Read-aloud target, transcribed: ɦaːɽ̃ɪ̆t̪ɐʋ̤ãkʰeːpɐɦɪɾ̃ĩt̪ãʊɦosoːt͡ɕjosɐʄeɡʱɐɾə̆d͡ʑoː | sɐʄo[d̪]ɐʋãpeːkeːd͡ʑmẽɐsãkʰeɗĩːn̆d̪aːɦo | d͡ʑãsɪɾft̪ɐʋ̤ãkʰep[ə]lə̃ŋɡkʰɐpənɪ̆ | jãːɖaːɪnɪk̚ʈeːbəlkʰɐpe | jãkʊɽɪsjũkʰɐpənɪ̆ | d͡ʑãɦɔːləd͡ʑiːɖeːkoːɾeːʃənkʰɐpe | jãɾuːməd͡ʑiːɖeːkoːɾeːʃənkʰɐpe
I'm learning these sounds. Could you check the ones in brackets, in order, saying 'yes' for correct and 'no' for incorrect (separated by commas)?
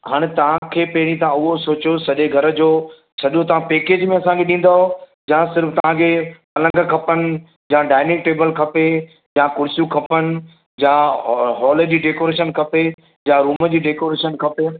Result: no, no